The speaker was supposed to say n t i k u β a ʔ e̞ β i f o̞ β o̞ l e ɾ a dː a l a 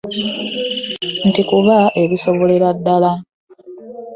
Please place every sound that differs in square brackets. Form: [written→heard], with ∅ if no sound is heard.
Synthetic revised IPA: n t i k u β a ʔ e̞ β i [f→s] o̞ β o̞ l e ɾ a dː a l a

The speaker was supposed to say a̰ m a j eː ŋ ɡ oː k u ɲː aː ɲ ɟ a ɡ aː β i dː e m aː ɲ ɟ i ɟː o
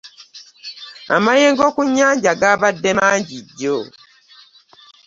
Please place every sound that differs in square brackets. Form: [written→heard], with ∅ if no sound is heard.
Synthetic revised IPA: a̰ m a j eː ŋ ɡ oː k u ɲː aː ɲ ɟ a ɡ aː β [i→a] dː e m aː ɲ ɟ i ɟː o

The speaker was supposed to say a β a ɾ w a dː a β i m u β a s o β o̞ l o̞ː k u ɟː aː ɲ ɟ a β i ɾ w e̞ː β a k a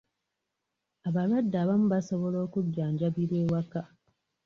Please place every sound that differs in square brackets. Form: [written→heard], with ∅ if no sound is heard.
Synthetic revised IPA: a β a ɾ w a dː a β [i→a] m u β a s o β o̞ l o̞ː k u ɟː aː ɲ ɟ a β i ɾ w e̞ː [β→w] a k a

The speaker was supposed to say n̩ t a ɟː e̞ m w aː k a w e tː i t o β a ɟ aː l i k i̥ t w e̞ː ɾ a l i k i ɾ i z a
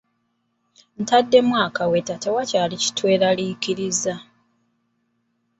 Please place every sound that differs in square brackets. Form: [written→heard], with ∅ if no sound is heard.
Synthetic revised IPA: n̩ t a [ɟː→dː] e̞ m w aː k a w e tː [i→a] t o [β→w] a [ɟ→c] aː l i [k→c] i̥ t w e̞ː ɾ a l i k i ɾ i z a

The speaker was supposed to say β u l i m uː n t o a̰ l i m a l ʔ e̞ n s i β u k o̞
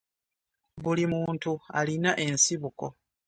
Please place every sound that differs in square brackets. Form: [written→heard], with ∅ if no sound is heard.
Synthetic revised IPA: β u l i m uː n t [o→u] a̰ l i [m→n] a [l→∅] ʔ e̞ n s i β u k o̞

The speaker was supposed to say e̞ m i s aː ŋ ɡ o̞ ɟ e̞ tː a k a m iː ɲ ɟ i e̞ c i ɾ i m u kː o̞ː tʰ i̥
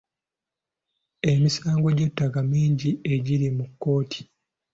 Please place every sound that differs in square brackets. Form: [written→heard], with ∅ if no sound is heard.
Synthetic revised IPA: e̞ m i s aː ŋ ɡ o̞ ɟ e̞ tː a k a m iː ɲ ɟ i e̞ [c→ɟ] i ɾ i m u kː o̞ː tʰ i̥

